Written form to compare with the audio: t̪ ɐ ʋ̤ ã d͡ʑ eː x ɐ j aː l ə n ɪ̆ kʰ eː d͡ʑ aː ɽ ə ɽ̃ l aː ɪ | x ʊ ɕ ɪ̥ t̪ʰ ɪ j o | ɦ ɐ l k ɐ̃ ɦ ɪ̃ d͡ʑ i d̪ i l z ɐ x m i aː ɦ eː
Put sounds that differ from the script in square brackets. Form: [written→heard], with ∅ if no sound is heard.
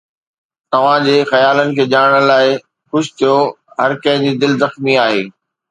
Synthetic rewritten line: t̪ ɐ ʋ̤ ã d͡ʑ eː x ɐ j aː l ə n ɪ̆ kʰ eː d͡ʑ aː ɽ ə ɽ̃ l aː ɪ | x ʊ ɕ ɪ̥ t̪ʰ [ɪ→i] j o | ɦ ɐ [l→ɾ] k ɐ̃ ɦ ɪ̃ d͡ʑ i d̪ [i→ɪ] l z ɐ x m i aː ɦ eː